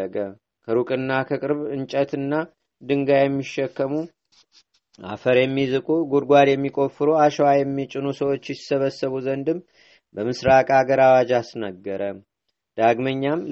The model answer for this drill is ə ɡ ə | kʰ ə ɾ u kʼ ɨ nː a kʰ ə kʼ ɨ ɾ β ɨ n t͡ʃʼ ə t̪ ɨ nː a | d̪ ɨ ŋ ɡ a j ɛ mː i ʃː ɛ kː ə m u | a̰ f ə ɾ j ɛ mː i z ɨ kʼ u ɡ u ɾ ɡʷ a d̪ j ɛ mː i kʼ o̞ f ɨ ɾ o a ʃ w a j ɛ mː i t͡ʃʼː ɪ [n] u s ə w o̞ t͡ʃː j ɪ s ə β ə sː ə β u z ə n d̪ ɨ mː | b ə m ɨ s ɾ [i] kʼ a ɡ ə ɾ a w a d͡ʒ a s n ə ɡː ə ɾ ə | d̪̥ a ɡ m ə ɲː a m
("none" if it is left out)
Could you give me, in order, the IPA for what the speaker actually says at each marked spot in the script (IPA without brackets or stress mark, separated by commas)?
n, a